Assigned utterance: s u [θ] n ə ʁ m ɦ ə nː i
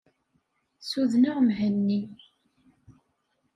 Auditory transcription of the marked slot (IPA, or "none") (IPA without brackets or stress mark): ð